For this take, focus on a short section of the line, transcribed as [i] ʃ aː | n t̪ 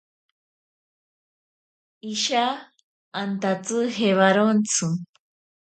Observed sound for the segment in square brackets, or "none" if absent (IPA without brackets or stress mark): i